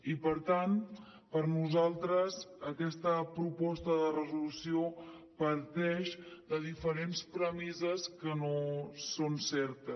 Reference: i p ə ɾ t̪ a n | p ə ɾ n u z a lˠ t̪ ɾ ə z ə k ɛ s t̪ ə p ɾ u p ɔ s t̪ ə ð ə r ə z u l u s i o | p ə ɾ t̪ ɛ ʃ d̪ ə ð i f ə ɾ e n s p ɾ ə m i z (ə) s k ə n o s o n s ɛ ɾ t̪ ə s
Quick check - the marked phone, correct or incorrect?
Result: correct